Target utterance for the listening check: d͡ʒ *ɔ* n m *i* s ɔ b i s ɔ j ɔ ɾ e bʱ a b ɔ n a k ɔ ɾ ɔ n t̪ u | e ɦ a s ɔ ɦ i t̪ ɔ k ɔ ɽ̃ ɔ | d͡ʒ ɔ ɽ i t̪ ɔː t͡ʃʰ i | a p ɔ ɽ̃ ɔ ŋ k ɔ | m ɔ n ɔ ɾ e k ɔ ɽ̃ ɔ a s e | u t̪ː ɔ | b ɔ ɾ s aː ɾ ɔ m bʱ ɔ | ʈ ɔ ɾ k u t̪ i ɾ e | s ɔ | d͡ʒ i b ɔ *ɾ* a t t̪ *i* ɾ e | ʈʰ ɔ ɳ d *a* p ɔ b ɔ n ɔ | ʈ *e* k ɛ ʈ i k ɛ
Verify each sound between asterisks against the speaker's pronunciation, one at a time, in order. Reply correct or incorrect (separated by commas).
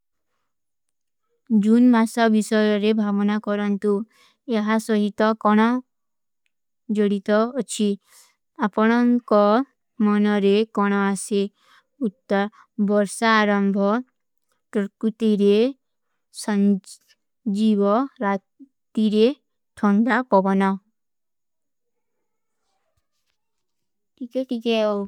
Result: incorrect, incorrect, correct, correct, correct, incorrect